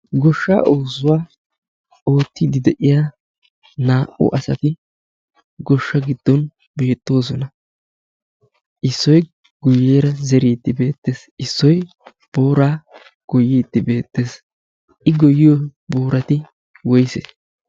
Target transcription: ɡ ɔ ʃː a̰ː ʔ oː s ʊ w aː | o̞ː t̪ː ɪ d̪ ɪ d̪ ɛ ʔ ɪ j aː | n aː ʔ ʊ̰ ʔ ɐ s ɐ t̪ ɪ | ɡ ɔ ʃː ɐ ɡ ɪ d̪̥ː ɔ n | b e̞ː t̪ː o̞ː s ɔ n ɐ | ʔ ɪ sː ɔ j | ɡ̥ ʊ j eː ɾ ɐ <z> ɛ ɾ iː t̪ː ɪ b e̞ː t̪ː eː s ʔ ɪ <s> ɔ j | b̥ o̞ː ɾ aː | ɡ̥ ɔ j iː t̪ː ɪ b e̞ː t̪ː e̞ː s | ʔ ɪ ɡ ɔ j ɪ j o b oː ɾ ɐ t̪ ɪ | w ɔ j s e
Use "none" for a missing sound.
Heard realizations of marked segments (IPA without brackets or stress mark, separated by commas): z, sː